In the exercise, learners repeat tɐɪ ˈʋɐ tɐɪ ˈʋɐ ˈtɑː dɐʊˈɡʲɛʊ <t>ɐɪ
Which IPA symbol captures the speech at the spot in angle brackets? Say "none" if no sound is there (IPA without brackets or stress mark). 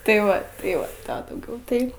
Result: t